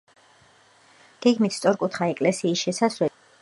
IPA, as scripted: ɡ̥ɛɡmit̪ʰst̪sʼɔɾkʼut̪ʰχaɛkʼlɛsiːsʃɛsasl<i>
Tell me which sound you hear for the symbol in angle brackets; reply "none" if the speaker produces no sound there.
ɛ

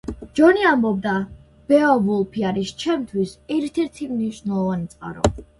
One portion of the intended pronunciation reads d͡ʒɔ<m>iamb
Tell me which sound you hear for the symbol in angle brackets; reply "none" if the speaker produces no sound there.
n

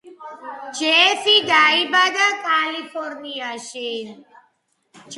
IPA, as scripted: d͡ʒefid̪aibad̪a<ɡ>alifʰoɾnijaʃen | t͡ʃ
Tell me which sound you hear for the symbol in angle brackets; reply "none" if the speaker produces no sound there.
k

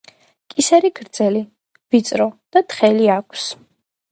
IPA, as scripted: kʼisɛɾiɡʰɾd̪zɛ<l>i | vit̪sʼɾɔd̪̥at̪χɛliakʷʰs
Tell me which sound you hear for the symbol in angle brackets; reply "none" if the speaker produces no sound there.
l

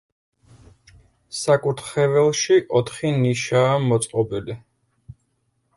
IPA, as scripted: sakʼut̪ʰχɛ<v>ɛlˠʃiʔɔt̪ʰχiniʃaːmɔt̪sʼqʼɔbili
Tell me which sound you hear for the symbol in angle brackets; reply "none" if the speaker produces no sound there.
v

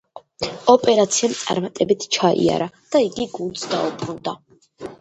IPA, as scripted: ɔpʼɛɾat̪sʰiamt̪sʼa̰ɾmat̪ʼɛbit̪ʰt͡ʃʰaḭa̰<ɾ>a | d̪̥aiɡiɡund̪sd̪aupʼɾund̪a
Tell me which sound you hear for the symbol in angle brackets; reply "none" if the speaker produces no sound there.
ɾ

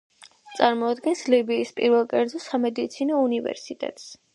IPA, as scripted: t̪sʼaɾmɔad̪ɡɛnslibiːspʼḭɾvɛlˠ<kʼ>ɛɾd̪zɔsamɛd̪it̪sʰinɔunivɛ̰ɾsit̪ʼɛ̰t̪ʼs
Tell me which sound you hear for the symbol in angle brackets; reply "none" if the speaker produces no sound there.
kʼ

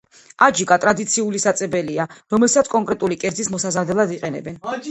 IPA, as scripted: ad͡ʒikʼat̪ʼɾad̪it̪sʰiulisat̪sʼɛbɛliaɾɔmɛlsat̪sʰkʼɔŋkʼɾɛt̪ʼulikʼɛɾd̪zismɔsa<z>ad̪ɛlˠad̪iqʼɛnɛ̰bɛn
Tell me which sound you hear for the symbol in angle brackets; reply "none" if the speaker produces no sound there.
z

